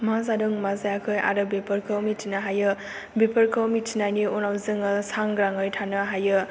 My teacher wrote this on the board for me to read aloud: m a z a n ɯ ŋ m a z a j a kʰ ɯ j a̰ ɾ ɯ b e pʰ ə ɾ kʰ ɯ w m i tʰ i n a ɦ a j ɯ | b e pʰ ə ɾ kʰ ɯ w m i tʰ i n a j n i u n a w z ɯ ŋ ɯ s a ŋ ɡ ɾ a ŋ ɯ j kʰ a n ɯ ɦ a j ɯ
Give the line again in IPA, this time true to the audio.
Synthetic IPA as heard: m a z a d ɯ ŋ m a z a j a kʰ ɯ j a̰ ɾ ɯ b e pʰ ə ɾ kʰ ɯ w m i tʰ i n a ɦ a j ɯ | b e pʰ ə ɾ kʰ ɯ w m i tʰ i n a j n i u n a w z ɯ ŋ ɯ s a ŋ ɡ ɾ a ŋ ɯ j tʰ a n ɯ ɦ a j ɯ